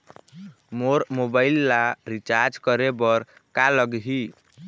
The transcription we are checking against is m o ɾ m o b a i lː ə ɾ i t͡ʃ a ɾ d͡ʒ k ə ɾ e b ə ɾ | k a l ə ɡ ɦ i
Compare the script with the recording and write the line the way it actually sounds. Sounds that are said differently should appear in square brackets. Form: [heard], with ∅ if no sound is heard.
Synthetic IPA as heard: m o ɾ m o b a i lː [a] ɾ i t͡ʃ a ɾ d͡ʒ k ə ɾ e b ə ɾ | k a l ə ɡ ɦ i